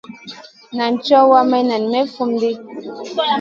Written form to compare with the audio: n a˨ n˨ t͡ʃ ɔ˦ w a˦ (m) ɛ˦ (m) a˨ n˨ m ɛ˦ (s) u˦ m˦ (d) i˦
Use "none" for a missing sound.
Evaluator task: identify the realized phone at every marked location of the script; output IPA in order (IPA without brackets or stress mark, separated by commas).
m, n, f, d